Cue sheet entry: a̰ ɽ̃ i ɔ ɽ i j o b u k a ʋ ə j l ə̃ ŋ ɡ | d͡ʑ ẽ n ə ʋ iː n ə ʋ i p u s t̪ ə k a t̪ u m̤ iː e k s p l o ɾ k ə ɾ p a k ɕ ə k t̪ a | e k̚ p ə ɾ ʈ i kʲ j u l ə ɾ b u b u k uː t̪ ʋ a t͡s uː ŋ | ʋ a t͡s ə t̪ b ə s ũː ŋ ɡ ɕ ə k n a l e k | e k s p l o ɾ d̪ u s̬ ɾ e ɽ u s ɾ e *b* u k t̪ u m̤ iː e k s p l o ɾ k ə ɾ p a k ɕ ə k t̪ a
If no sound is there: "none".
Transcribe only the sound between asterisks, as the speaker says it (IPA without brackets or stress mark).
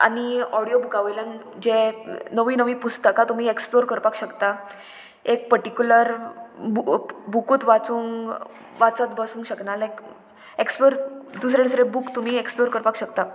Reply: b